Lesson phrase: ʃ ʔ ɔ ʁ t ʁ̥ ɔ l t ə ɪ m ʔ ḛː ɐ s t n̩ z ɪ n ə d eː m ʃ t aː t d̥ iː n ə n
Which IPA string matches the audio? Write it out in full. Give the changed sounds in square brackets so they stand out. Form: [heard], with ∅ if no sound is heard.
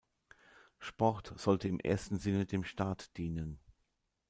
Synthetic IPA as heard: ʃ [p] ɔ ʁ t [z̥] ɔ l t ə ɪ m ʔ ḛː ɐ s t n̩ z ɪ n ə d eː m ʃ t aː t d̥ iː n ə n